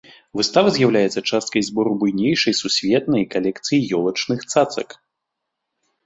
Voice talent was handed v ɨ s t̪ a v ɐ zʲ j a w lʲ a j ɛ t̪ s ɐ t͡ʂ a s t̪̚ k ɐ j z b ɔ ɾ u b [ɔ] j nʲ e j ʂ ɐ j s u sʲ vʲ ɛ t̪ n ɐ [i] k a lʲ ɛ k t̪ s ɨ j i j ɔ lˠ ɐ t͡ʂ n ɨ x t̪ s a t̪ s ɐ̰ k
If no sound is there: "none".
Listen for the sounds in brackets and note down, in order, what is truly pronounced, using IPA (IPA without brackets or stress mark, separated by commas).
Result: u, j